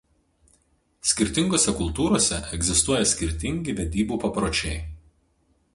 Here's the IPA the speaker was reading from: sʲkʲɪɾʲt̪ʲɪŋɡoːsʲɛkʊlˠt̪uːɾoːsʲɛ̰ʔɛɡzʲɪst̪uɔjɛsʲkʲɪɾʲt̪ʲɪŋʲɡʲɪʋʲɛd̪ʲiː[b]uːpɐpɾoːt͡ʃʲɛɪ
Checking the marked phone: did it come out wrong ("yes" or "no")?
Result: no